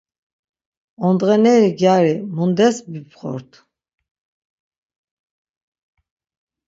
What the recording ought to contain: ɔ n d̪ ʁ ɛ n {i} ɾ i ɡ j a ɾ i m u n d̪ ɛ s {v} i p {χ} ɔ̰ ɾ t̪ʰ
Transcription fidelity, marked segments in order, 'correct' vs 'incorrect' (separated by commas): incorrect, incorrect, correct